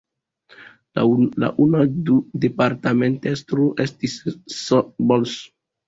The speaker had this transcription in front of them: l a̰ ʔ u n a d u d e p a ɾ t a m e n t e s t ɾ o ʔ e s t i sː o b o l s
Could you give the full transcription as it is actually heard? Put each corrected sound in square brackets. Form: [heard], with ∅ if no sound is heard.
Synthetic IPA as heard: l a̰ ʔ u n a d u d e p a ɾ t a m e n t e s t ɾ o ʔ e s t i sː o b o l s